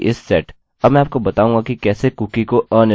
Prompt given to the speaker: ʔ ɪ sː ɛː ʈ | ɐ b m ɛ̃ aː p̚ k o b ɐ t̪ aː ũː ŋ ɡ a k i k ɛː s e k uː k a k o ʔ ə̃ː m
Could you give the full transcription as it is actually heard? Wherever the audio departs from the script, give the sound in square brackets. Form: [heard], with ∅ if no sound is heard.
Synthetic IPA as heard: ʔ ɪ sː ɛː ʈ | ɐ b m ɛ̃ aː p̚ k o b ɐ t̪ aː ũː ŋ ɡ a k i k ɛː s e k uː k [i] k o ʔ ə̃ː [n]